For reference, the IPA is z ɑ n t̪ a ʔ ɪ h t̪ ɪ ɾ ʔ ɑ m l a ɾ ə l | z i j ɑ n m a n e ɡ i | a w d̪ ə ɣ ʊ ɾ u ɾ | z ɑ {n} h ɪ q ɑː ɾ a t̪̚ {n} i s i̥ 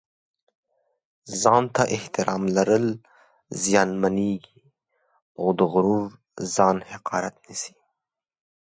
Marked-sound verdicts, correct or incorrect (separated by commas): correct, correct